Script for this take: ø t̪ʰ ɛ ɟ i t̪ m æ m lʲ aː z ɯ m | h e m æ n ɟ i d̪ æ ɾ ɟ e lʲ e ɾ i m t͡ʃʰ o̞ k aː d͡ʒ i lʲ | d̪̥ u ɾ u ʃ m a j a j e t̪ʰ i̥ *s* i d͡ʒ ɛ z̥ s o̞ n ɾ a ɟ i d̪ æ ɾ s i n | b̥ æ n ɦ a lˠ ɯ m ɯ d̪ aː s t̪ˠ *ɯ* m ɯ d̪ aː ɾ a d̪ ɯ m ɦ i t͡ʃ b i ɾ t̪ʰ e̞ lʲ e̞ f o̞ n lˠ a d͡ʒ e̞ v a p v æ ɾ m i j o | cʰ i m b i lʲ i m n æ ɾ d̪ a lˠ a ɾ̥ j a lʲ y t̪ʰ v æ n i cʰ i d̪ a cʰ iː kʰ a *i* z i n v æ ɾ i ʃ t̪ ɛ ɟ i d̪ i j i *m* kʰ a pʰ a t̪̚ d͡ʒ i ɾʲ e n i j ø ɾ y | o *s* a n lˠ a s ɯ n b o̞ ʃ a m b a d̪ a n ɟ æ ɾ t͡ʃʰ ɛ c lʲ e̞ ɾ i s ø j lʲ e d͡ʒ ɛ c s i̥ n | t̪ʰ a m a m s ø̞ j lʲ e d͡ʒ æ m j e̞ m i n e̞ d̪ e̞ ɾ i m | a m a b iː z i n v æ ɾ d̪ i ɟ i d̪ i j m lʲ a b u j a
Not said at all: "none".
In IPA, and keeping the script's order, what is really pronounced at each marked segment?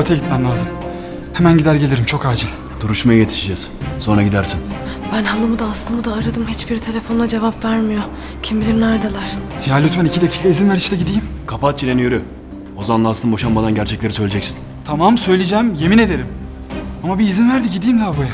ʃ, ɯ, i, m, z

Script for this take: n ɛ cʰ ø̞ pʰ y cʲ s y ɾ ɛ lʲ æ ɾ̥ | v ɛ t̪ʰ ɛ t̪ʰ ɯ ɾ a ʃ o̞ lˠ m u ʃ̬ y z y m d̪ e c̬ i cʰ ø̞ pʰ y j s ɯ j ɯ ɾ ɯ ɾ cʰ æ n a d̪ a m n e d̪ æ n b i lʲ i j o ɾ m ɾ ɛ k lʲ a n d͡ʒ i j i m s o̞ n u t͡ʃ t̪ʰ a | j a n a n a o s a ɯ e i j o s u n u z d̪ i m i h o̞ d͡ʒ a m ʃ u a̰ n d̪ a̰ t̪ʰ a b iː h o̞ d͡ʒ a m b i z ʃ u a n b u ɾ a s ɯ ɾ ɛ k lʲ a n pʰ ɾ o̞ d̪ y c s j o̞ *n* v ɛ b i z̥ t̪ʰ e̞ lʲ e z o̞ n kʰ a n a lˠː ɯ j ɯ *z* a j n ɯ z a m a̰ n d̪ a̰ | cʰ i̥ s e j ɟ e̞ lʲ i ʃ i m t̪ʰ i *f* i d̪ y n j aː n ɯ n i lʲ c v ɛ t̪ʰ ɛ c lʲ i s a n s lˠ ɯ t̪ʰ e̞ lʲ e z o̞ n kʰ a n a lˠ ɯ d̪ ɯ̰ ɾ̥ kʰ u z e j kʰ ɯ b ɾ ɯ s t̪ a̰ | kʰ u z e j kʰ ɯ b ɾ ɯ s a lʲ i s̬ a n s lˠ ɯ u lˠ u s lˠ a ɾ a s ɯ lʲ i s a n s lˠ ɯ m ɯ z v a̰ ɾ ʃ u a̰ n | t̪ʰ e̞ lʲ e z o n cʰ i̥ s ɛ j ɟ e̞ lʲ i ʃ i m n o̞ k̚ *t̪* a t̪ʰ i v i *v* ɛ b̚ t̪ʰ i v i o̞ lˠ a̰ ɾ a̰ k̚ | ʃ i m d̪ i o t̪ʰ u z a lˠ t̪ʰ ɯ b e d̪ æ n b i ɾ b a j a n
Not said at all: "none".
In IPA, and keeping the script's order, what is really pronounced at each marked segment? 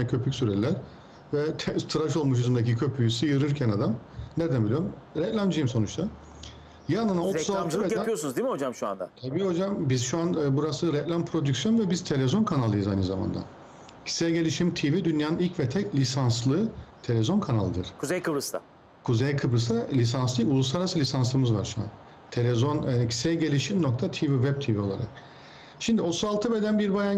n, z, v, t̪ʰ, v

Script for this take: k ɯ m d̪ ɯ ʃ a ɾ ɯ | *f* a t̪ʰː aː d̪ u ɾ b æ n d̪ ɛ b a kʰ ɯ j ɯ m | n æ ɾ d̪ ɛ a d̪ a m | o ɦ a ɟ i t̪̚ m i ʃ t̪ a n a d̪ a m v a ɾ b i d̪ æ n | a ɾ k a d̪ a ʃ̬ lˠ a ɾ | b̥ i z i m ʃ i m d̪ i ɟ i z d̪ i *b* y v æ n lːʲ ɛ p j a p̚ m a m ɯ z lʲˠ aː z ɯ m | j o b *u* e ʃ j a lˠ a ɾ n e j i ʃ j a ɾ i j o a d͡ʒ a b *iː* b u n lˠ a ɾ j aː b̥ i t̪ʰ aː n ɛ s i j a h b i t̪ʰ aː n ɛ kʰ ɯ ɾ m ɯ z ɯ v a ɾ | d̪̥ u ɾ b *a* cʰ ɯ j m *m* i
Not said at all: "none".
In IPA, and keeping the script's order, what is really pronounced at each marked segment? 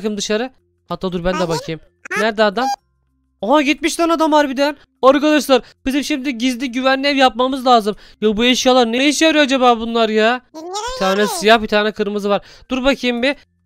h, ɟ, u, aː, a, b

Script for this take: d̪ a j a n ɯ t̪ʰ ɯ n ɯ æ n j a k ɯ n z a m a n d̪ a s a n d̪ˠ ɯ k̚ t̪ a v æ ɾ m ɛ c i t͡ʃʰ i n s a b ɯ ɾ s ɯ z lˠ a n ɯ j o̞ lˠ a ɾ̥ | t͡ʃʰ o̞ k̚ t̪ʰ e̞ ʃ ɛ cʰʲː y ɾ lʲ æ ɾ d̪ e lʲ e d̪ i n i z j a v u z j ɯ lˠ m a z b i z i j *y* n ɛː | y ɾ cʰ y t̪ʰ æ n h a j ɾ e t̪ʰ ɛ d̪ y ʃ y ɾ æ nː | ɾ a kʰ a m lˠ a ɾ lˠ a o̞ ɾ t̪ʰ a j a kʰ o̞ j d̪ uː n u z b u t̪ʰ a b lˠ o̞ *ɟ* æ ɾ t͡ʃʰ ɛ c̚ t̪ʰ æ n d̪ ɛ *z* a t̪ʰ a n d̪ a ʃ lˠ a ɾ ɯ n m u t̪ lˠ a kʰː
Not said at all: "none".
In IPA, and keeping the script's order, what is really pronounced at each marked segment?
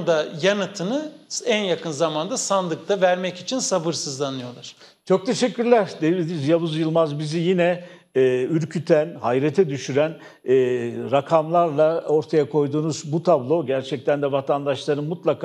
i, ɟ, v

